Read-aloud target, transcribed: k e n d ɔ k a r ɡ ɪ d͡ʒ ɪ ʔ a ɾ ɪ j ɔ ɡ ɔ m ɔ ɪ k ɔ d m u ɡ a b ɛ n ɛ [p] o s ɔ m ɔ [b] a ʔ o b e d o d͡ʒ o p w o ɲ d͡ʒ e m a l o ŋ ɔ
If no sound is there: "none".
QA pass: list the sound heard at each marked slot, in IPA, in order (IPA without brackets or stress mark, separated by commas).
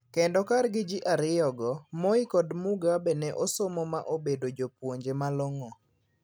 ʔ, m